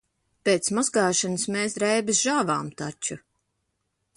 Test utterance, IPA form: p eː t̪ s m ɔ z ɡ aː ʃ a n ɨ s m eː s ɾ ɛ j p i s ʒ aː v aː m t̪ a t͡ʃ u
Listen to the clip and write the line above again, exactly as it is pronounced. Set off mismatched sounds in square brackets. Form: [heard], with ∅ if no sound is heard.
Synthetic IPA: p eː t̪ s m ɔ z ɡ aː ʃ a n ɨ s m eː s ɾ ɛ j [b] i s ʒ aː v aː m t̪ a t͡ʃ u